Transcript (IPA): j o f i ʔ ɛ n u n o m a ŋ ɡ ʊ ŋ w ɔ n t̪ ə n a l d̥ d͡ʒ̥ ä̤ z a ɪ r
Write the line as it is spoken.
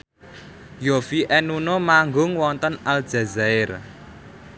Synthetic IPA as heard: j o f i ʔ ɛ n u n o m a ŋ ɡ ʊ ŋ w ɔ n t̪ ə n a l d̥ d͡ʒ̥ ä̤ z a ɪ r